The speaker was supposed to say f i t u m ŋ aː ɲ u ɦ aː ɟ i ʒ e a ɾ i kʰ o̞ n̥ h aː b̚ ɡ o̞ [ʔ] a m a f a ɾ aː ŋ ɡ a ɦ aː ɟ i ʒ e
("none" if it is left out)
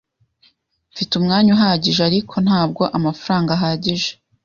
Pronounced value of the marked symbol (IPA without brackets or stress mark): ʔ